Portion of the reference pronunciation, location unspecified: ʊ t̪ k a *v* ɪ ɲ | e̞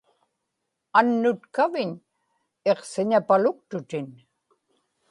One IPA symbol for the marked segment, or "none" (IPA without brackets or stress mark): v